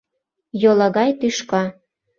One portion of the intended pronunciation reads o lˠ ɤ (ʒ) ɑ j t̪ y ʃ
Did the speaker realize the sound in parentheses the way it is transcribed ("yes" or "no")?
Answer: no